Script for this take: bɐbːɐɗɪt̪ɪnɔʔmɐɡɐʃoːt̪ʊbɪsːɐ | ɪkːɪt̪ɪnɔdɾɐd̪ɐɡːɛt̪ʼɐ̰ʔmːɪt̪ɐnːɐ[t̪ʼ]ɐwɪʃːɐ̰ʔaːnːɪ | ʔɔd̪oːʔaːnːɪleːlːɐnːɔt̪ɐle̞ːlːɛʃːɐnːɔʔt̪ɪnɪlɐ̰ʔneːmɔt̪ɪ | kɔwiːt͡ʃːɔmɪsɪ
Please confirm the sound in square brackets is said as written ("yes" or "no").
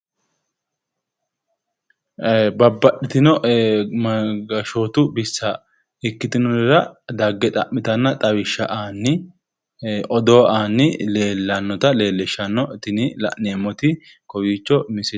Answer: yes